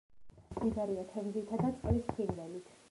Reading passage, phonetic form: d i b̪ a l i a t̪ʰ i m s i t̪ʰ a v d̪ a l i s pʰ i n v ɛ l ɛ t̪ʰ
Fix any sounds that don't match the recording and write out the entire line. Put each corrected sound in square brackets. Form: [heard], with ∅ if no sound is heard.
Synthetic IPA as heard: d i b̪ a [ɾ] i a t̪ʰ [ɛ] m [z] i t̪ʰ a [∅] d̪ a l i s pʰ i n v ɛ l [i] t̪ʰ